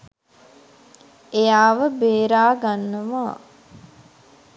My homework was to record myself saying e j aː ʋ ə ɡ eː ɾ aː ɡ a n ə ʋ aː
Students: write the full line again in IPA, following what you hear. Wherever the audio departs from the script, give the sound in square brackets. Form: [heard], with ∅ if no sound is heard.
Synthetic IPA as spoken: e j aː ʋ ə [b] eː ɾ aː ɡ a [nː] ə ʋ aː